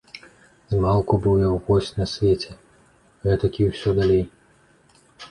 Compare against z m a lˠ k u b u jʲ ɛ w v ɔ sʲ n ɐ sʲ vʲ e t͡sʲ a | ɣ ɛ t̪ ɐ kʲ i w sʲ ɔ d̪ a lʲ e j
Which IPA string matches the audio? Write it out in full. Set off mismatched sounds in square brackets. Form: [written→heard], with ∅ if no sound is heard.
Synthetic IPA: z m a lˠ k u b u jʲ ɛ w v ɔ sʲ n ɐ sʲ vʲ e t͡sʲ [a→ɛ] | ɣ ɛ t̪ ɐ kʲ i w sʲ ɔ d̪ a lʲ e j